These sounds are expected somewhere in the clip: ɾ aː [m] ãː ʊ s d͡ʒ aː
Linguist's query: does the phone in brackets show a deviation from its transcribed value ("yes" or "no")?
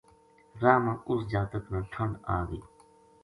no